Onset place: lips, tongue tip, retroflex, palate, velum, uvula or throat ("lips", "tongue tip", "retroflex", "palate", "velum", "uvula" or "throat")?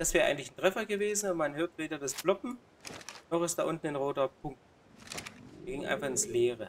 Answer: tongue tip